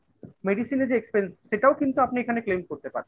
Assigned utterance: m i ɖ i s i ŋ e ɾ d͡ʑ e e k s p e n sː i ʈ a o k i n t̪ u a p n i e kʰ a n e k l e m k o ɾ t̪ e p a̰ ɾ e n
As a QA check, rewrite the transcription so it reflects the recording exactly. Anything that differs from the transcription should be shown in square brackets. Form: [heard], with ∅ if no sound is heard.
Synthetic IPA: m [e] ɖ i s i [n] e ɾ d͡ʑ e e k s p e n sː [e] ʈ a o k i n t̪ u a p n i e kʰ a n e k l e m k o ɾ t̪ e p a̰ ɾ e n